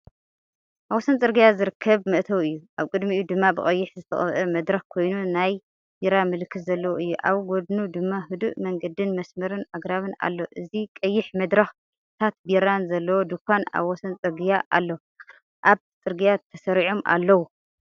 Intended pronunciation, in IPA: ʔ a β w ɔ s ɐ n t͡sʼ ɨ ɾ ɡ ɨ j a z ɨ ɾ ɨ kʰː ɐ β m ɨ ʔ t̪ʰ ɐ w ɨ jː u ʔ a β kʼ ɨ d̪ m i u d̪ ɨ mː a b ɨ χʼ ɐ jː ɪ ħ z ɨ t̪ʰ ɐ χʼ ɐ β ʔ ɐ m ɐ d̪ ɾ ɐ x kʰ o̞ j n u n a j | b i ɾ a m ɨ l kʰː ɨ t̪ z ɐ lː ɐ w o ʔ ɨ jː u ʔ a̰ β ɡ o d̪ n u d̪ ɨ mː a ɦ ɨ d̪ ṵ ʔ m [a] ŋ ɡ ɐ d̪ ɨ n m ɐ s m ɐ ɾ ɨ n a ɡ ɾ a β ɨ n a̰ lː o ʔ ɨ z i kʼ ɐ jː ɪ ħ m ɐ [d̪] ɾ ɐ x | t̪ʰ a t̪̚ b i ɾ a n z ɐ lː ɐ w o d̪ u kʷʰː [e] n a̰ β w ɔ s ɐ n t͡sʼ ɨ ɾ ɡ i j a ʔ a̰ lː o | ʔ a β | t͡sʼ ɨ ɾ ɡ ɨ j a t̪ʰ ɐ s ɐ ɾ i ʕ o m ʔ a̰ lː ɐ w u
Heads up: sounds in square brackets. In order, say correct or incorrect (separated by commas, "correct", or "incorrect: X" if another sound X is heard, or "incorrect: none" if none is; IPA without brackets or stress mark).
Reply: incorrect: ɐ, correct, incorrect: a